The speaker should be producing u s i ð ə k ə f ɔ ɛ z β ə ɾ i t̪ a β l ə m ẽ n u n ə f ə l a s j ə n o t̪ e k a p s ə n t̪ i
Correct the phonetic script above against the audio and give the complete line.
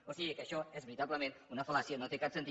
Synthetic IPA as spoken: o s i ɣ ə k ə ʃ ɔ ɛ z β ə ɾ i t̪ a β l ə m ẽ n u n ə f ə l a s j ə n o t̪ e k a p s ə n t̪ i